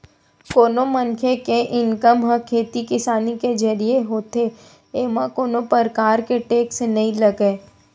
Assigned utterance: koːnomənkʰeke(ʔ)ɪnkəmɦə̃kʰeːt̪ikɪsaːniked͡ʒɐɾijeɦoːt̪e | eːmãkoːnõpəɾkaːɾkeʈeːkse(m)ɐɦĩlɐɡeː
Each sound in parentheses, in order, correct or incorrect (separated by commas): correct, incorrect